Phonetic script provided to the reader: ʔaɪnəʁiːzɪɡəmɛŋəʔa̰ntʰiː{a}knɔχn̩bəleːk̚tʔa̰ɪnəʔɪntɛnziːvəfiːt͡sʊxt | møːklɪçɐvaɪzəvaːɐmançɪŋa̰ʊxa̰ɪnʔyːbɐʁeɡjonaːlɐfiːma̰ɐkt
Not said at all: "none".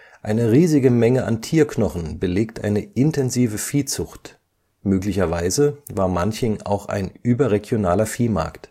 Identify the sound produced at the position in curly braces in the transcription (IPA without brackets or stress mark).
ɐ